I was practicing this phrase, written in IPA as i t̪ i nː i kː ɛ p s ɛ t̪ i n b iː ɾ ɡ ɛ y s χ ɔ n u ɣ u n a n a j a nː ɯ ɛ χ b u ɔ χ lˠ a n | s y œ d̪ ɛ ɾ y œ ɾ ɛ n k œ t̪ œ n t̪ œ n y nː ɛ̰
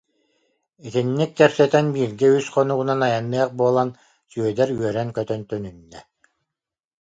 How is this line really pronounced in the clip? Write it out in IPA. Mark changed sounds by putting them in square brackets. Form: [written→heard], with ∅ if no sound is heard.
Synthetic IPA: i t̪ i nː i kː ɛ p s ɛ t̪ [i→ɛ] n b iː ɾ ɡ ɛ y s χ ɔ n u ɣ u n a n a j a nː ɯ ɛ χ b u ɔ [χ→∅] lˠ a n | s y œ d̪ ɛ ɾ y œ ɾ ɛ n k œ t̪ œ n t̪ œ n y nː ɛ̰